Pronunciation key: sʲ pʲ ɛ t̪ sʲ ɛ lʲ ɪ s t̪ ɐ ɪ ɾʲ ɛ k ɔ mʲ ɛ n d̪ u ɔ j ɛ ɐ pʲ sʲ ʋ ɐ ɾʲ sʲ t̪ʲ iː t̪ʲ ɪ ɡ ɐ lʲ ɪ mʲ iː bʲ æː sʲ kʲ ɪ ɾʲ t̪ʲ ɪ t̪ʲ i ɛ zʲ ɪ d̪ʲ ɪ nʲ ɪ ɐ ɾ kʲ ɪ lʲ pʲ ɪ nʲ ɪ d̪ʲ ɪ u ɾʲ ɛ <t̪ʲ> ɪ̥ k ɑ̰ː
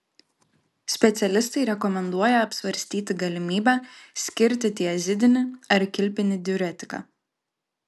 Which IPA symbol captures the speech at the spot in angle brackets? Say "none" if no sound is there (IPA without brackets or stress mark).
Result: t̪ʲ